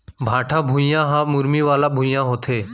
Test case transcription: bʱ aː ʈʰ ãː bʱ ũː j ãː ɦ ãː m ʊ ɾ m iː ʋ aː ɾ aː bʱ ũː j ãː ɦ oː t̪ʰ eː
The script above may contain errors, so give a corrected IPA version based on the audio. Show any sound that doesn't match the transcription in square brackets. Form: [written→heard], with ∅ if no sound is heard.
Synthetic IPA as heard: bʱ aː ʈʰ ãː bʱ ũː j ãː ɦ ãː m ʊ ɾ m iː ʋ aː [ɾ→l] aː bʱ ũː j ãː ɦ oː t̪ʰ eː